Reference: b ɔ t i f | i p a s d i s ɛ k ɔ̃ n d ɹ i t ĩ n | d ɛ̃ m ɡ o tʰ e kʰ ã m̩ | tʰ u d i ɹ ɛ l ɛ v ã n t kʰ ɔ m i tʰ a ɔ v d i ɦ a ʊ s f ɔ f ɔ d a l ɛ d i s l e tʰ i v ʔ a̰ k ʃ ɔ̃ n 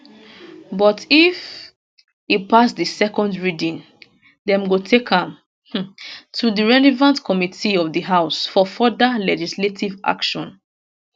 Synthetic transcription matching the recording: b ɔ t i f | i p a s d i s ɛ k ɔ̃ n d ɹ i d ĩ n | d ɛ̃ m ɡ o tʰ e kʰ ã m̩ | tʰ u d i ɹ ɛ l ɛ v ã n t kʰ ɔ m i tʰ i ɔ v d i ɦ a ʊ s f ɔ f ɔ d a l ɛ d͡ʒ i s l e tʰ i v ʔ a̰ k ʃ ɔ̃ n